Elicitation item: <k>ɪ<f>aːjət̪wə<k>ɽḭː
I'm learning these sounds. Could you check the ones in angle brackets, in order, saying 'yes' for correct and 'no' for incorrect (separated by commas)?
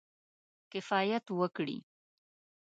yes, yes, yes